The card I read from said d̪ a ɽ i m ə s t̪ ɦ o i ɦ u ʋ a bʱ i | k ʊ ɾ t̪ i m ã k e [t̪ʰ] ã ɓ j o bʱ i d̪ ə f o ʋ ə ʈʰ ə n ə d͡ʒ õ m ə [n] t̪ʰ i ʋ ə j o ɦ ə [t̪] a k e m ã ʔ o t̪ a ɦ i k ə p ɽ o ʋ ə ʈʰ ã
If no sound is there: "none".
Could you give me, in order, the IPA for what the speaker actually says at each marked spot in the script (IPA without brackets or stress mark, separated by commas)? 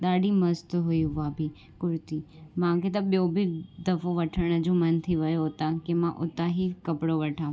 t̪, n, t̪